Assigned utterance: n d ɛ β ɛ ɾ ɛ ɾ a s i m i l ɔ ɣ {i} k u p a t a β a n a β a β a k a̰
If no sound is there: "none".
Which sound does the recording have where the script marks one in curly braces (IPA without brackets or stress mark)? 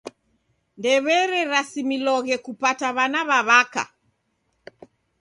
ɛ